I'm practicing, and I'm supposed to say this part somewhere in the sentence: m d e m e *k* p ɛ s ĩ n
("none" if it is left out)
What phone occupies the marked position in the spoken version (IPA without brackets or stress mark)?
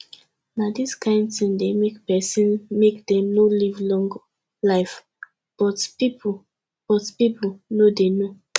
k